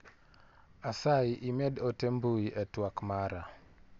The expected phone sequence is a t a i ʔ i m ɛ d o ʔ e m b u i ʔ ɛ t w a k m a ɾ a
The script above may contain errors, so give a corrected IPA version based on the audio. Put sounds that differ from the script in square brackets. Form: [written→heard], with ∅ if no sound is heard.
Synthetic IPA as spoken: a [t→s] a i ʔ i m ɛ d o [ʔ→t] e m b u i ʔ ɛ t w a k m a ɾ a